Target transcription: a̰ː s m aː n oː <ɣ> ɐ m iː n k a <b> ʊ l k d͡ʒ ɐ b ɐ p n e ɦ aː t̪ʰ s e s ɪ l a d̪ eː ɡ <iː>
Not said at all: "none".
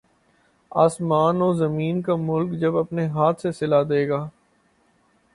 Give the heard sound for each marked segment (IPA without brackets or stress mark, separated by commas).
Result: z, m, aː